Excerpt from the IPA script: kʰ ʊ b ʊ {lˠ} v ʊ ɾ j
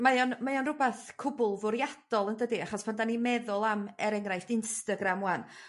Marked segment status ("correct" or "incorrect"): correct